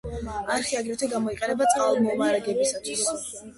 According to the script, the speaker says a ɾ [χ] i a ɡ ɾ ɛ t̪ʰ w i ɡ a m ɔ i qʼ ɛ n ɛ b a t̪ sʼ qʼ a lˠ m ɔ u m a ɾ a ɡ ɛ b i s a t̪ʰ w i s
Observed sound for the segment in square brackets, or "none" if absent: χ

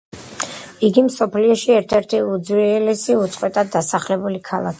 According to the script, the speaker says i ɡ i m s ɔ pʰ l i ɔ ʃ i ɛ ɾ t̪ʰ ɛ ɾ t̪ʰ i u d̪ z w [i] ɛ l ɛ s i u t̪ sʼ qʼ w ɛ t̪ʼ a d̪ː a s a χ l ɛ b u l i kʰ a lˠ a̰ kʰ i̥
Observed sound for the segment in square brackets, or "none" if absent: i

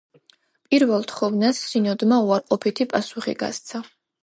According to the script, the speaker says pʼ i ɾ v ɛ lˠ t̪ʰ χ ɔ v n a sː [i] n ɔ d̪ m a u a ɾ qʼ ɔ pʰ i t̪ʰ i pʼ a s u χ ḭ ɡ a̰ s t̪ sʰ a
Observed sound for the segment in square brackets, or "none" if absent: i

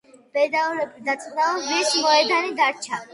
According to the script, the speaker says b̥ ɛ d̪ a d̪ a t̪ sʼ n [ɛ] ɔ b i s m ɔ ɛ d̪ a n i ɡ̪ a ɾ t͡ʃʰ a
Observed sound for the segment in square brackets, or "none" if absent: a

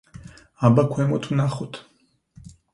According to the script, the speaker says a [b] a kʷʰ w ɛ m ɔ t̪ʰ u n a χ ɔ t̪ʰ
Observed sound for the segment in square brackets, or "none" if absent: b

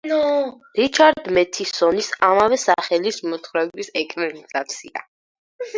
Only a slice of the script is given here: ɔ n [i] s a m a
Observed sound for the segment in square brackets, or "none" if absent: i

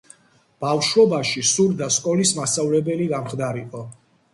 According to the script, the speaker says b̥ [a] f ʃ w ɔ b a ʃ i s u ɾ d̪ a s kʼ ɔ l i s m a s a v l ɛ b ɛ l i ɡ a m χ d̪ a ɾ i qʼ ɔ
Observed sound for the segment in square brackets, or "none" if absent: a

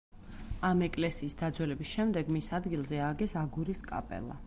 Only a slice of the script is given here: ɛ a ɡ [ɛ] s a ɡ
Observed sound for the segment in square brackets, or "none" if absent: ɛ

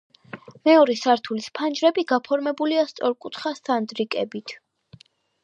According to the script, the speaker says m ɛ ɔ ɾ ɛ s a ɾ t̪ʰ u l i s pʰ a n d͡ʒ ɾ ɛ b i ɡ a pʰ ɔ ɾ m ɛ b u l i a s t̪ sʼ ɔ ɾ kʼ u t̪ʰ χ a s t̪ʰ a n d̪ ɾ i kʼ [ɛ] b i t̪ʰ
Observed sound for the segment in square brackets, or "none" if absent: ɛ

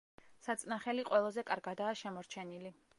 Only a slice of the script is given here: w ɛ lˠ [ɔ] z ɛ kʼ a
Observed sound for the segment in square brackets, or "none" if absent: ɔ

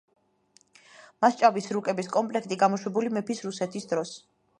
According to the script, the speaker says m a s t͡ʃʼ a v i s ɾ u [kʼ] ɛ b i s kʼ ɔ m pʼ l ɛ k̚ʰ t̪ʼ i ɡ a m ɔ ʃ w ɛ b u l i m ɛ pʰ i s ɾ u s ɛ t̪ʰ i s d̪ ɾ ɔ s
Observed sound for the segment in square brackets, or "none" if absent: kʼ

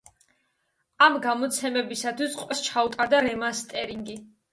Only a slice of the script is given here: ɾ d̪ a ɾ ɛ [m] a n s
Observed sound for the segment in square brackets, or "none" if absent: m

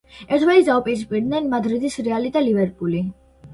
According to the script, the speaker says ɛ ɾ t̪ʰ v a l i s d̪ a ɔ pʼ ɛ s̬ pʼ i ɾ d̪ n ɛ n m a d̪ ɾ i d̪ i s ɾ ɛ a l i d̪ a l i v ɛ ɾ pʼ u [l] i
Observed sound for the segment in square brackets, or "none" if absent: l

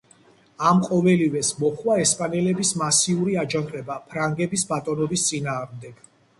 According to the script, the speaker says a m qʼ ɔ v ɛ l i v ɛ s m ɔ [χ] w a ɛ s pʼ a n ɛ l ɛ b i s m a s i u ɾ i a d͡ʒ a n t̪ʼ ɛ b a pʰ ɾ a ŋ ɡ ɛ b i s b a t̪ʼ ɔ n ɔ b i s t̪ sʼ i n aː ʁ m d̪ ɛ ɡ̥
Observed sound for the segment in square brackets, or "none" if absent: χ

